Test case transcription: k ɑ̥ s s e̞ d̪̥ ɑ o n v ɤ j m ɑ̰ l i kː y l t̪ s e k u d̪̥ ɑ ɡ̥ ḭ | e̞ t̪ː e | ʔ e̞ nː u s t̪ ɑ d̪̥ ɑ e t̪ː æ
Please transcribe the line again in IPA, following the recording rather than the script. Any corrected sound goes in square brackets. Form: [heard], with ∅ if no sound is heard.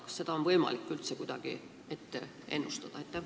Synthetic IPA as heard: k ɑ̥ s s e̞ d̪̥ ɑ o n v ɤ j m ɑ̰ l i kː y l t̪ s e k u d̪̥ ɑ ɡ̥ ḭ | e̞ t̪ː e | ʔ e̞ nː u s t̪ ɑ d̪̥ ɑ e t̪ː æ